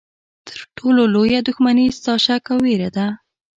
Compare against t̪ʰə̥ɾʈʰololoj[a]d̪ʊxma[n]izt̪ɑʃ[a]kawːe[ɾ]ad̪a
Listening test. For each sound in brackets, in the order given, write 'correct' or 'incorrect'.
correct, correct, correct, correct

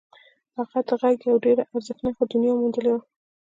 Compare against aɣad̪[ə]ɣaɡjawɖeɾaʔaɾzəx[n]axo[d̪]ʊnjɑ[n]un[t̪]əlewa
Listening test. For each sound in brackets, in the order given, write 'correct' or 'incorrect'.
correct, correct, correct, incorrect, incorrect

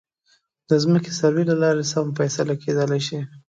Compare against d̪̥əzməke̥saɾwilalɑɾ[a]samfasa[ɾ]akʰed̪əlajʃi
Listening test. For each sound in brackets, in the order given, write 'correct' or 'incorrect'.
incorrect, incorrect

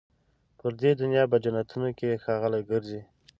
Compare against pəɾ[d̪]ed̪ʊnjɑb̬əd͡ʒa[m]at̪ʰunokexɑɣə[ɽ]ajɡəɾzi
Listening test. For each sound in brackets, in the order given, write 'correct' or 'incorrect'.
correct, incorrect, incorrect

